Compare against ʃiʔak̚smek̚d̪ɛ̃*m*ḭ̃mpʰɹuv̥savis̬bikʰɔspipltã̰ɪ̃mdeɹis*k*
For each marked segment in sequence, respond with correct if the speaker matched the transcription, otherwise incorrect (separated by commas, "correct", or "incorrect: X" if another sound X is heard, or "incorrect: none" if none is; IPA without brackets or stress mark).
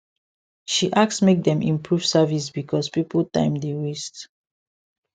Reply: correct, incorrect: t